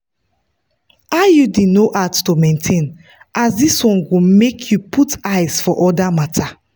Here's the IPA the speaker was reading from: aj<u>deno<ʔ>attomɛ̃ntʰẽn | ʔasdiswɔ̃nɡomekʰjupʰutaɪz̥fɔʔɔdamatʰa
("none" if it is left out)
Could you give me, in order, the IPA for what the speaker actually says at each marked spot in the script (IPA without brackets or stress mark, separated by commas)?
u, ʔ